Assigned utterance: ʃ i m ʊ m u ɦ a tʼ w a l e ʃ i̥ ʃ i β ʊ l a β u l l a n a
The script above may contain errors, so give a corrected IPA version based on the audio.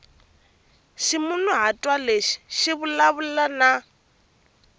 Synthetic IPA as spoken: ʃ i m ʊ n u ɦ a tʼ w a l e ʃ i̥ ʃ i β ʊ l a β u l l a n a

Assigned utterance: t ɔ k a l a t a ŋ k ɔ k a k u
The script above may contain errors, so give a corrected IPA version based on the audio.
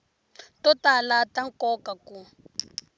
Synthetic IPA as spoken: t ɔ t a l a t a ŋ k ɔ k a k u

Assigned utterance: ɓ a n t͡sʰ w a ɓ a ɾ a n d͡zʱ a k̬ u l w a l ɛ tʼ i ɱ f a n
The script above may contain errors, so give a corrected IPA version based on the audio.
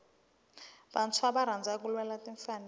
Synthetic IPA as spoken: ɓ a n t͡sʰ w a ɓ a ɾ a n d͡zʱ a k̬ u l w ɛ l a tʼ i ɱ f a n

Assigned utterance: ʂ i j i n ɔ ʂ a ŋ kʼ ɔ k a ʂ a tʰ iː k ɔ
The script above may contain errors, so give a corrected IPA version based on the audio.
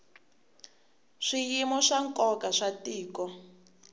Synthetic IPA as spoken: ʂ i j i m ɔ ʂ a ŋ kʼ ɔ k a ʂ a t iː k ɔ

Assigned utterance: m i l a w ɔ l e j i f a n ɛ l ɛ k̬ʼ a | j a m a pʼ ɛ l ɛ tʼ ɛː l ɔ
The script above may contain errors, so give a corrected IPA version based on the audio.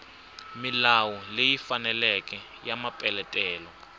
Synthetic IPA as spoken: m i l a w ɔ l e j i f a n ɛ l ɛ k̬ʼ ɛ | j a m a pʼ ɛ l ɛ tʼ ɛː l ɔ

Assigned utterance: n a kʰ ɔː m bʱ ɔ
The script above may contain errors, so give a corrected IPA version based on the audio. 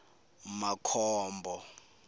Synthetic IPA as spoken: m a kʰ ɔː m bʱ ɔ

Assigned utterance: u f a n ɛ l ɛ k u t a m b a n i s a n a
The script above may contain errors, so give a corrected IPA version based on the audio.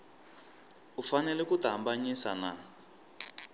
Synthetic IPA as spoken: u f a n ɛ l ɛ k u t a m b a ɲ i s a n a

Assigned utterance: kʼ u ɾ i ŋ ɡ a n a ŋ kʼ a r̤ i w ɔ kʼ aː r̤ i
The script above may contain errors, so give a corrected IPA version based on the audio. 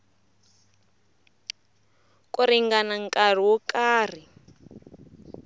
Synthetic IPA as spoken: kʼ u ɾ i ŋ ɡ a n a ŋ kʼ a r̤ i w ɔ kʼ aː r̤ i

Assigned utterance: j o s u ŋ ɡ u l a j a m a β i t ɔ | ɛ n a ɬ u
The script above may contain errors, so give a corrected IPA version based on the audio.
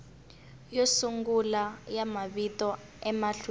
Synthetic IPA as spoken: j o s u ŋ ɡ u l a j a m a β i t ɔ | ɛ m a ɬ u

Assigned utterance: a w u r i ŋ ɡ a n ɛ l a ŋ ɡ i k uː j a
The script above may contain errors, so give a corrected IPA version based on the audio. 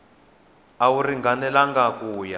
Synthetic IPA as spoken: a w u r i ŋ ɡ a n ɛ l a ŋ ɡ a k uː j a

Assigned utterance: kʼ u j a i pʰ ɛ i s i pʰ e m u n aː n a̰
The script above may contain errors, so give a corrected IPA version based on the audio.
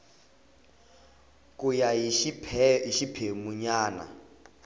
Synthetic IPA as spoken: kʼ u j a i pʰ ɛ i ʃ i pʰ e m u ɲ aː n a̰

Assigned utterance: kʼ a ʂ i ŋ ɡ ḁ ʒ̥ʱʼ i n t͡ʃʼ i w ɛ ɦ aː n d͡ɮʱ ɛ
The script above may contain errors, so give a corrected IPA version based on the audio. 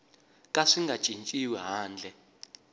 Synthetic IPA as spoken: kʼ a ʂ i ŋ ɡ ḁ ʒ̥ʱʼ i n t͡ʃʼ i w ɛ ɦ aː n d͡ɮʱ ɛ

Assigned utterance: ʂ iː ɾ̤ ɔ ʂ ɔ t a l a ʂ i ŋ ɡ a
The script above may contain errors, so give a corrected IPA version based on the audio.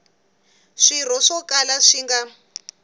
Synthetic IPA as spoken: ʂ i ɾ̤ ɔ ʂ ɔ k a l a ʂ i ŋ ɡ a

